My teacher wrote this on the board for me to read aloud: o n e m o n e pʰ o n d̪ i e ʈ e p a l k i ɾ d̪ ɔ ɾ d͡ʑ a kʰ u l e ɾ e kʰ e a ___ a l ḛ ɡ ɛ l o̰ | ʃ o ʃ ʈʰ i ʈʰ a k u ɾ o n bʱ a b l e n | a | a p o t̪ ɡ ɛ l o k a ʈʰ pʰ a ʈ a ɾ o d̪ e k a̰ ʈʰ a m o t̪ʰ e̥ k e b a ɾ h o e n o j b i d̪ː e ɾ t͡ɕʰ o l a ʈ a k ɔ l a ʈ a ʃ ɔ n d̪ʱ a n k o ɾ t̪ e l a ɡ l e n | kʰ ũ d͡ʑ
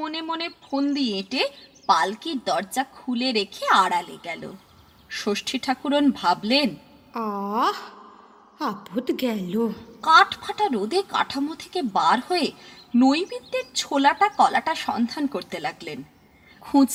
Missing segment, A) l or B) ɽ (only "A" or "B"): B